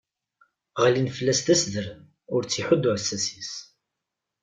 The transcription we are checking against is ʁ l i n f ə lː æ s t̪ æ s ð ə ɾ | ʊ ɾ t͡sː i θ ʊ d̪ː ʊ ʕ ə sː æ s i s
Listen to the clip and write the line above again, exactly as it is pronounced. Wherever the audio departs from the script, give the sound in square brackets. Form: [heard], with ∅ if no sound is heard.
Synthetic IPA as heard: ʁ l i n f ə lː æ s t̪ æ s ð ə ɾ | ʊ ɾ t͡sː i [ħ] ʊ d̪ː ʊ ʕ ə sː æ s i s